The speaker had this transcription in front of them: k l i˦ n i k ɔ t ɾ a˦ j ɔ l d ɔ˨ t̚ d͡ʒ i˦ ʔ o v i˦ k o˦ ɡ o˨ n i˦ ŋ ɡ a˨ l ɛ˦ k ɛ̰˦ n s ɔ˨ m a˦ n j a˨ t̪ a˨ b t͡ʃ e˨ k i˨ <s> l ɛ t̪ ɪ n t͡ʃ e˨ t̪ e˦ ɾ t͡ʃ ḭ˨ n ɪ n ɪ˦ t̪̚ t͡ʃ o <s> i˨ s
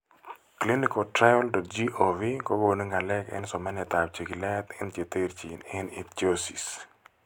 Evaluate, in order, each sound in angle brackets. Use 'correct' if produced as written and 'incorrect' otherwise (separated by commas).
incorrect, correct